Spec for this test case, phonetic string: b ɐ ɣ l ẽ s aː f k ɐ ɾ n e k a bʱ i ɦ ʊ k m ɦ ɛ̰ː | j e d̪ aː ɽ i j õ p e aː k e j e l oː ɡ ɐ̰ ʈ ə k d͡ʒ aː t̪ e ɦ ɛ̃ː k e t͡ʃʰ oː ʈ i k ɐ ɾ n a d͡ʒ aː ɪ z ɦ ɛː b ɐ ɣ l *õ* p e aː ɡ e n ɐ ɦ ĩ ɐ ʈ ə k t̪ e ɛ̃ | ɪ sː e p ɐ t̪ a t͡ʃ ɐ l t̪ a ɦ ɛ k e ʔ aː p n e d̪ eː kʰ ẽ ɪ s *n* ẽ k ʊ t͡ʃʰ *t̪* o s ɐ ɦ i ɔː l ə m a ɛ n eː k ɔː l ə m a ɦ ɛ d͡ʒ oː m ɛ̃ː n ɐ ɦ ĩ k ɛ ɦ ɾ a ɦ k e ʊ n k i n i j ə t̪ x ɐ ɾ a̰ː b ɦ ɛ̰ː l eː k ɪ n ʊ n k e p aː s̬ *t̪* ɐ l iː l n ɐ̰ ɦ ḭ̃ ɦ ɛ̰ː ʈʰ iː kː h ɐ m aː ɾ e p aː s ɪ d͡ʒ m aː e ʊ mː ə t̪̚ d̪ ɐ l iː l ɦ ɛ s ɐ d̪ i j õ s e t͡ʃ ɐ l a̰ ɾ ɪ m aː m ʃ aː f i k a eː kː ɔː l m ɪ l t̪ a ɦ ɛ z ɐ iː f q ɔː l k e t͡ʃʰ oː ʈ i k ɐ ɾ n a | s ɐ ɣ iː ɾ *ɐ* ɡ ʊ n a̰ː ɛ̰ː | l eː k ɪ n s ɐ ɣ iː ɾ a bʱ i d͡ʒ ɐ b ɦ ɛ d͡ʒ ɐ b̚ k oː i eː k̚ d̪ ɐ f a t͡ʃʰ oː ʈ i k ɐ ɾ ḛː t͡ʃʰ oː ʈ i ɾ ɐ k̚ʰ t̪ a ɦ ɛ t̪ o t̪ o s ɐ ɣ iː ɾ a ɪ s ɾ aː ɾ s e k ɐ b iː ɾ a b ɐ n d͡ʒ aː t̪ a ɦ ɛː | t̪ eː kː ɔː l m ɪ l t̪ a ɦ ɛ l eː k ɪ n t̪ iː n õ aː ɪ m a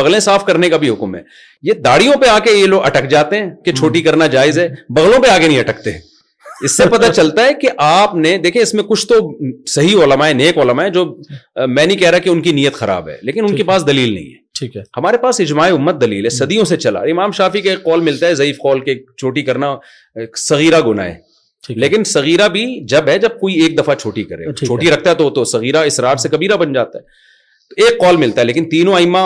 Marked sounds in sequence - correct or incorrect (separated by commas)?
correct, incorrect, correct, incorrect, incorrect